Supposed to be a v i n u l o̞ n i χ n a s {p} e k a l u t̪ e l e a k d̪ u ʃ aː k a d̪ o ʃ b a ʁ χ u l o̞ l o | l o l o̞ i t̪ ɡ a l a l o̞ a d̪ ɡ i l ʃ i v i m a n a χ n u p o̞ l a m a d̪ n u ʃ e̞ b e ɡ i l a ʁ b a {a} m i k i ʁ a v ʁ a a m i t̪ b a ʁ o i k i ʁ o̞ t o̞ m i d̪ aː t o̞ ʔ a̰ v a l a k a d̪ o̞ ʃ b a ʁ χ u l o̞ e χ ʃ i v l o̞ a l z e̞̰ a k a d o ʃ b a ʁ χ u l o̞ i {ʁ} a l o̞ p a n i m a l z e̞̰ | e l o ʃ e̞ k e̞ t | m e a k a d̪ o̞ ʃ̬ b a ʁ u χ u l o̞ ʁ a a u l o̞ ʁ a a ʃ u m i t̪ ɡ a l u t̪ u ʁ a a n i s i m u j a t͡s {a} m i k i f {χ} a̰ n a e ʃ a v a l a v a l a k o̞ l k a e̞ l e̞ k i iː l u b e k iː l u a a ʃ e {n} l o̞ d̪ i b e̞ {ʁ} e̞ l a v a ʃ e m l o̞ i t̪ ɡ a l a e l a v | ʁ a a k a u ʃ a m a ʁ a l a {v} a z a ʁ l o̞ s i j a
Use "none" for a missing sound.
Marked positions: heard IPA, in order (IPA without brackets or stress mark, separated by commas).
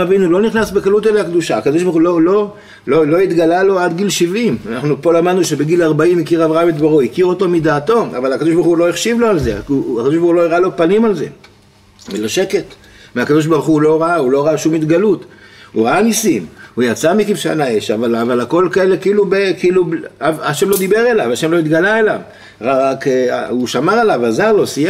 b, i, ʁ, a, ʃ, m, ʁ, v